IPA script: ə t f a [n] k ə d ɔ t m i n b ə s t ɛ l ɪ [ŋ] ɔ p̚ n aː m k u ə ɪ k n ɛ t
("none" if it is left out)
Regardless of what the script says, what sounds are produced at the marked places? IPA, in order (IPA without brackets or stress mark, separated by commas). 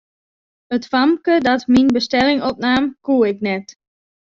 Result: m, ŋ